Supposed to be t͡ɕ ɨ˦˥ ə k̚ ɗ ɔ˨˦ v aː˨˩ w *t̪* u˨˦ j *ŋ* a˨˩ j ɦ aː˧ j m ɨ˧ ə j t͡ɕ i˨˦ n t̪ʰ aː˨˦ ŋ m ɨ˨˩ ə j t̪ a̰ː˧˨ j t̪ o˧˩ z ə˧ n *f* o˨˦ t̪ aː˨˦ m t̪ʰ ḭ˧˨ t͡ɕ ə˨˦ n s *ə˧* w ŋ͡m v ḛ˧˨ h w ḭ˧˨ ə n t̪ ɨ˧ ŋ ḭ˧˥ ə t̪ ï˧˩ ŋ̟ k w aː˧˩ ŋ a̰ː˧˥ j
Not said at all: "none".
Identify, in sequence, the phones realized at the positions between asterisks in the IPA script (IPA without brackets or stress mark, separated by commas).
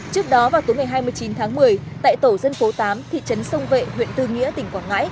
t̪, ŋ, f, ə˧